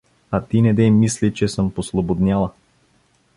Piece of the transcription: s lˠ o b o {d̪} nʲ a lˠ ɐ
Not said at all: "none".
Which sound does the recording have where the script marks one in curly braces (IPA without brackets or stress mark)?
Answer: d̪